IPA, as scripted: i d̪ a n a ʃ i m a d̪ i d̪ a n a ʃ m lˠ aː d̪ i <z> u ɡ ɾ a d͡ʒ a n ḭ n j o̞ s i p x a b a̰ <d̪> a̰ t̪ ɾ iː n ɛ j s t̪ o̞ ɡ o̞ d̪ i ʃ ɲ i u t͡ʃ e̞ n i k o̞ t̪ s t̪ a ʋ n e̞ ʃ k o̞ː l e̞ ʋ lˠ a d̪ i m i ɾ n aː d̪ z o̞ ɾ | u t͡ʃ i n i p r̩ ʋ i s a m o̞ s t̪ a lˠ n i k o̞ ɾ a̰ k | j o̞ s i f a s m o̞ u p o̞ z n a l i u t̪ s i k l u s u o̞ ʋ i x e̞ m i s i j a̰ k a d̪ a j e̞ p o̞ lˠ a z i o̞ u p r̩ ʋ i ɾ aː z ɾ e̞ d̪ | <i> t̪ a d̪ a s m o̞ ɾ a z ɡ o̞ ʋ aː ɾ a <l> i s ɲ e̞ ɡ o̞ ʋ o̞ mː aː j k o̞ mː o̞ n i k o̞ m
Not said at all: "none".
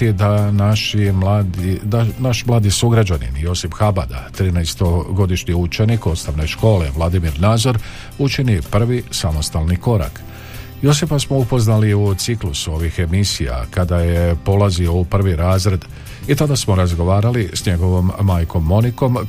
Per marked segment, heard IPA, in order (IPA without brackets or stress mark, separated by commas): s, d̪, i, l